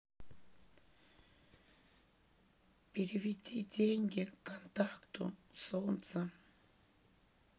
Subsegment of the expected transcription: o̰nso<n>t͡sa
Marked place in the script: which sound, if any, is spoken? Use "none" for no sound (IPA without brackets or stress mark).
n